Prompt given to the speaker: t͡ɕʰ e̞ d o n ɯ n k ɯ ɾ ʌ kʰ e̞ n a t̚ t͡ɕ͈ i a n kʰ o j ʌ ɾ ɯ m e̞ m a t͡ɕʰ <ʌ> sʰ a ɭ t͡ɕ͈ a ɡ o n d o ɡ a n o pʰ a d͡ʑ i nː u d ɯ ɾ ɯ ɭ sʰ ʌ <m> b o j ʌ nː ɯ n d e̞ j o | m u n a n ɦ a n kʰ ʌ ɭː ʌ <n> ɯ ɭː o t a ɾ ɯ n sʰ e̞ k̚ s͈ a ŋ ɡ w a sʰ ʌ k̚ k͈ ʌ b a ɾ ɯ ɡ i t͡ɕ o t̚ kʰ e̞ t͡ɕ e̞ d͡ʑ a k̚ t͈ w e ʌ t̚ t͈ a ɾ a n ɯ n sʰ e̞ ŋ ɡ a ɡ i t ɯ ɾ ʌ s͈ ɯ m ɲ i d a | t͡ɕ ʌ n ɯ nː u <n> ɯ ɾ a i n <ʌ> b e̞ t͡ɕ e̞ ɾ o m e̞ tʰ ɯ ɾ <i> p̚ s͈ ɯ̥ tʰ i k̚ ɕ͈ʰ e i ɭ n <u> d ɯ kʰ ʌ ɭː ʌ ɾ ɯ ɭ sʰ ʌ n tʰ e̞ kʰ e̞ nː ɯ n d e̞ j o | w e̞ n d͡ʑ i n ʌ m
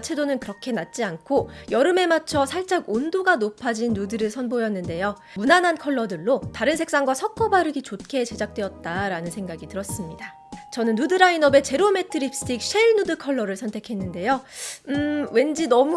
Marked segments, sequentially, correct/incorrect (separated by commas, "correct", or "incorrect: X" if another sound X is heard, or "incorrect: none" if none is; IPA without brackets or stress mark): correct, incorrect: n, incorrect: d, incorrect: d, correct, correct, correct